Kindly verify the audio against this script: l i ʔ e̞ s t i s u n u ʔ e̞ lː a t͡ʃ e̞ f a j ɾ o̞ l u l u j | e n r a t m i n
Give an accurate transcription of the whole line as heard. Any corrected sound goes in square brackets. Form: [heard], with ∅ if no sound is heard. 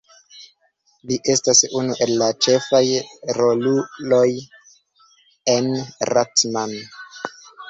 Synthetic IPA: l i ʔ e̞ s t [a] s u n u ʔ e̞ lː a t͡ʃ e̞ f a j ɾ o̞ l u l [o] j | e n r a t m [a] n